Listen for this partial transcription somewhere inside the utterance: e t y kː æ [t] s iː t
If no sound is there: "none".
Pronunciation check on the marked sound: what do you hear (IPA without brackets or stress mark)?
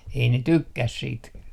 s